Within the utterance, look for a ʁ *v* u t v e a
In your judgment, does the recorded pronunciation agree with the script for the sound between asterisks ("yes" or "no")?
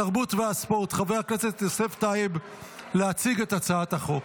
no